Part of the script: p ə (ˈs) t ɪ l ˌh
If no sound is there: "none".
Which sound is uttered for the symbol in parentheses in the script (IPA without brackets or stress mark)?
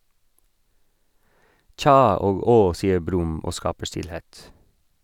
ʃ